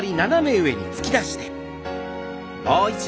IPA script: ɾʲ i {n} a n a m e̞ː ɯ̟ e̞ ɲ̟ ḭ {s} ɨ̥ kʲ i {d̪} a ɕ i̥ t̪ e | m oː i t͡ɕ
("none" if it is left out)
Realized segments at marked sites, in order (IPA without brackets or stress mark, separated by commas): n, t͡s, d̪